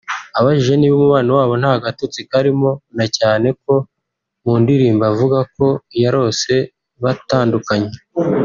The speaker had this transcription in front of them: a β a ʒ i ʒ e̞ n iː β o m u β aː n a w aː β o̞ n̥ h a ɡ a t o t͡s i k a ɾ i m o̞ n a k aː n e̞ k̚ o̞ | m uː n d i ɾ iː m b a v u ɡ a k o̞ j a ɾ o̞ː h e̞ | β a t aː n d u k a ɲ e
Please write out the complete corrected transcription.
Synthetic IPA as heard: a β a ʒ i ʒ e̞ n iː β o m u β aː n a w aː β o̞ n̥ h a ɡ a t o t͡s i k a ɾ i m o̞ n a c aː n e̞ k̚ o̞ | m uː n d i ɾ iː m b a v u ɡ a k o̞ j a ɾ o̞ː s e̞ | β a t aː n d u k a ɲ e